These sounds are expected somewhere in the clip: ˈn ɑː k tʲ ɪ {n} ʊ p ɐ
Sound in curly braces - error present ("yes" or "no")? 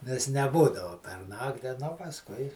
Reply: no